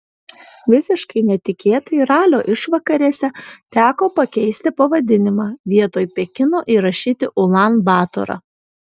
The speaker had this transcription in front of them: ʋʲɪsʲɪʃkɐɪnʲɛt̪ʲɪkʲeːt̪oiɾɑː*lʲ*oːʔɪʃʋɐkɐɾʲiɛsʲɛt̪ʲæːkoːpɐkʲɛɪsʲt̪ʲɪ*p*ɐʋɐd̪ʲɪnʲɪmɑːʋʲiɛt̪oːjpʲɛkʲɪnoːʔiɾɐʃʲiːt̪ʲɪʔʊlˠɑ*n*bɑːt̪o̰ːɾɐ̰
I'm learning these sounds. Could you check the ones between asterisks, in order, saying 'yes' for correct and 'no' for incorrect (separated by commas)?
yes, yes, yes